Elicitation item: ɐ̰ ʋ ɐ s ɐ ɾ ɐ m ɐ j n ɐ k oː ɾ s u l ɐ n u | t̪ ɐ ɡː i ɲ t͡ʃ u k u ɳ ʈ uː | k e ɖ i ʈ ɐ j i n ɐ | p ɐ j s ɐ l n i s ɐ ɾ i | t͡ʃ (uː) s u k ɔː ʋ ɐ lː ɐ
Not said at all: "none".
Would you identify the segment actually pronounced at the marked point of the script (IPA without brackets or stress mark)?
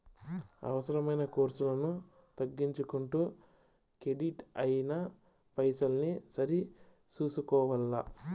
uː